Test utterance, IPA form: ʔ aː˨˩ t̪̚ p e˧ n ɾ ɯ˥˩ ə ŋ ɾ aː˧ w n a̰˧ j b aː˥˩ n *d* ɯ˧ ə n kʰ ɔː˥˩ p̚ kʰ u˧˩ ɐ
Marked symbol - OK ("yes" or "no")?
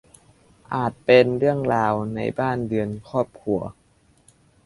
yes